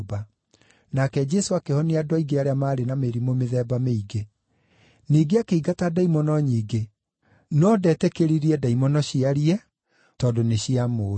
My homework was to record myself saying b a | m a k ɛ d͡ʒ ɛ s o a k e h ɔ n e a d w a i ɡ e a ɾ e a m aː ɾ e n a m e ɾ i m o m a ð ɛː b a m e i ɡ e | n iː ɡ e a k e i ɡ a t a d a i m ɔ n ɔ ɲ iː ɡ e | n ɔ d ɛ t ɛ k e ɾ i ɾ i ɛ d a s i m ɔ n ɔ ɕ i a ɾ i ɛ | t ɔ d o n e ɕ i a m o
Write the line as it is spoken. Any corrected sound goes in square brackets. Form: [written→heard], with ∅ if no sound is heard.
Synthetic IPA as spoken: b a | [m→n] a k ɛ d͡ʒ ɛ s o a k e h ɔ n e a d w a i ɡ e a ɾ e a m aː ɾ e n a m e ɾ i m o m [a→e] ð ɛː b a m e i ɡ e | n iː ɡ e a k e i ɡ a t a d a i m ɔ n ɔ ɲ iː ɡ e | n ɔ d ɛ t ɛ k e ɾ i ɾ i ɛ d a [s→∅] i m ɔ n ɔ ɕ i a ɾ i ɛ | t ɔ d o n e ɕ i a m o